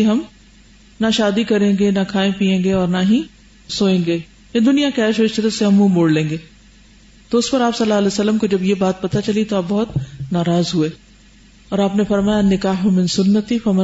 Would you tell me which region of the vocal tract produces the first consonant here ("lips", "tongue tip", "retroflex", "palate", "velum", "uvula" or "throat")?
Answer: throat